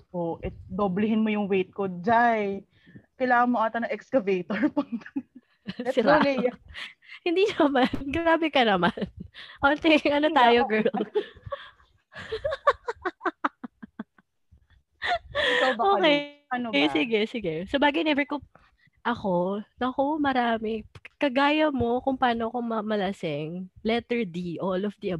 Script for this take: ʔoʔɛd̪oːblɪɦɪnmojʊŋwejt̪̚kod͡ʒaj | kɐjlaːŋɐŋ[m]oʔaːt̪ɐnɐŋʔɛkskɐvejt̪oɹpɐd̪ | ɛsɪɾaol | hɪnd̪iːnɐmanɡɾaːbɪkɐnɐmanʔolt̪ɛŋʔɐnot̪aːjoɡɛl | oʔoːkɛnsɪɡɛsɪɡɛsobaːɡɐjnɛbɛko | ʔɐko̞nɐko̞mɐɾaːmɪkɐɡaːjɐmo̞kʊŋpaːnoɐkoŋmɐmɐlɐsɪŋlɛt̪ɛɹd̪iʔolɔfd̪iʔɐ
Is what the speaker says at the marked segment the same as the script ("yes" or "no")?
yes